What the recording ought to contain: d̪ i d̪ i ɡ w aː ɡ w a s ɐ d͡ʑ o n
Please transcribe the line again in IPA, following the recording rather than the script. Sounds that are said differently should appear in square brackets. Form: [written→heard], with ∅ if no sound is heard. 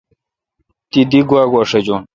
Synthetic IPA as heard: [d̪→t̪] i d̪ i ɡ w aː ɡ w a [s→ʂ] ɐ d͡ʑ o n

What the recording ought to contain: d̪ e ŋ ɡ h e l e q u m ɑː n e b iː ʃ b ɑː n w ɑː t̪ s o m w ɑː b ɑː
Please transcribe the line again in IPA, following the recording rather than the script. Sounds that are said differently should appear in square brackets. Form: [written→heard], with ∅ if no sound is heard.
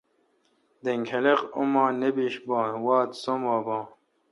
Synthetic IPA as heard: d̪ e ŋ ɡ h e l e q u m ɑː n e b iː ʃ b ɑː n w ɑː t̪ s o m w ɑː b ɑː

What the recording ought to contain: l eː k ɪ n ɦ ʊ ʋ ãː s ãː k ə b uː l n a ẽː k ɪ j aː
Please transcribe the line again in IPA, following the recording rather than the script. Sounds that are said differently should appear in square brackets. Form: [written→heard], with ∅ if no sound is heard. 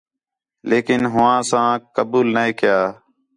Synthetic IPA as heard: l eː k ɪ n ɦ ʊ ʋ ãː s ãː k ə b uː l n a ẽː k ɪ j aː

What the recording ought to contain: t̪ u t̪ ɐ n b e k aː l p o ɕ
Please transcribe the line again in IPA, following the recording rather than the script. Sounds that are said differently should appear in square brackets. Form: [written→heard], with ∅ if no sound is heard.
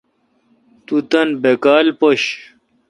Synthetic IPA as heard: t̪ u t̪ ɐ n b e k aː l p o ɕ

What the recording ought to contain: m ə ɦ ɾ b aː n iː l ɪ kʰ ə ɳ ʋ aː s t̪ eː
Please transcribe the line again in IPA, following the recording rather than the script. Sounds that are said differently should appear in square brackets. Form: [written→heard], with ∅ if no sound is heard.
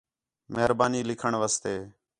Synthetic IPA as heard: m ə ɦ ɾ b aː n iː l ɪ kʰ ə ɳ ʋ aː s t̪ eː

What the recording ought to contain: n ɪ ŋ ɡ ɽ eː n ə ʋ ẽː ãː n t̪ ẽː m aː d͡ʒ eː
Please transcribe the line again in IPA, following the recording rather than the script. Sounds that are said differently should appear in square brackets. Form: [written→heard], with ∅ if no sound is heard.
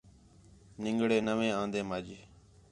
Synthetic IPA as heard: n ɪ ŋ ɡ ɽ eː n ə ʋ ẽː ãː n [t̪→d̪] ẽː m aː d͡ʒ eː

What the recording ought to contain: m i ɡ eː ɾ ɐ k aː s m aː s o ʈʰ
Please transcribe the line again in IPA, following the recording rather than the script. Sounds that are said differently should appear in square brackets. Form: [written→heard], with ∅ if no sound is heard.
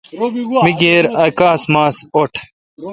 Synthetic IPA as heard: m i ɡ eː ɾ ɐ k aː s m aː s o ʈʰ

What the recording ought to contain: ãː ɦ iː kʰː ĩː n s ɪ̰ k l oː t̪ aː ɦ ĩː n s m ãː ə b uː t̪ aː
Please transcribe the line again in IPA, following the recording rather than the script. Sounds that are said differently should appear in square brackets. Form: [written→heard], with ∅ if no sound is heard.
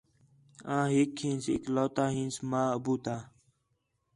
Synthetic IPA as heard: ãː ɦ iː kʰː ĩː n s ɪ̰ k l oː t̪ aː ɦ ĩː n s m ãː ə b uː t̪ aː

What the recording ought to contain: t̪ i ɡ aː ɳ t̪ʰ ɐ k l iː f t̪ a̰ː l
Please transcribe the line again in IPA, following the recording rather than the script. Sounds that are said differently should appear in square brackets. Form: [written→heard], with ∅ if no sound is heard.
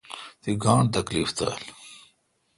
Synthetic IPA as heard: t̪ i ɡ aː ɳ [t̪ʰ→t̪] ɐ k l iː f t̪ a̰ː l

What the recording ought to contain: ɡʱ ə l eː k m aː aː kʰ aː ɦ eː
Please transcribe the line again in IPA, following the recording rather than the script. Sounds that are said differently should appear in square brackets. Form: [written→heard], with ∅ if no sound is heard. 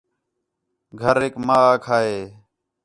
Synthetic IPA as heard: ɡʱ ə [l→ɾ] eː k m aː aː kʰ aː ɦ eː

